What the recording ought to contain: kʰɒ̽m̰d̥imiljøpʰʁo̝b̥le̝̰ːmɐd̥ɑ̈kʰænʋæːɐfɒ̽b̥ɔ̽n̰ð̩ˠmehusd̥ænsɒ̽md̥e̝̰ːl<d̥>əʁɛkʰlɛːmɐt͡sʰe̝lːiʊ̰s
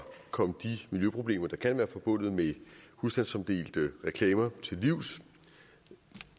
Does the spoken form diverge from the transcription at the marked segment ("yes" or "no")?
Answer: no